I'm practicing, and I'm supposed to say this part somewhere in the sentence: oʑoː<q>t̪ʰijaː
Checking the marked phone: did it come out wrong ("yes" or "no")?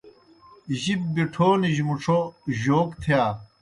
yes